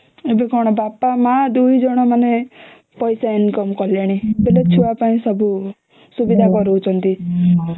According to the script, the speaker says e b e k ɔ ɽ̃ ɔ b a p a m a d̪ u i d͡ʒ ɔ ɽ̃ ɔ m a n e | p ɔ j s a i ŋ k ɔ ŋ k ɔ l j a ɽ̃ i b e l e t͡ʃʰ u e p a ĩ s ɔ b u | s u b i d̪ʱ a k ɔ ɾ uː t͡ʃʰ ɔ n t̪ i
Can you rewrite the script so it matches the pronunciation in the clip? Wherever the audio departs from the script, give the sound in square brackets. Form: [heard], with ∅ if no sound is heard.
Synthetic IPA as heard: e b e k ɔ ɽ̃ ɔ b a p a m a d̪ u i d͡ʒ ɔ ɽ̃ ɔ m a n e | p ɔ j s a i [n] k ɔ [m] k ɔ l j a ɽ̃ i b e l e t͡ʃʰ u [a] p a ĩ s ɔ b u | s u b i d̪ʱ a k ɔ ɾ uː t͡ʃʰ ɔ n t̪ i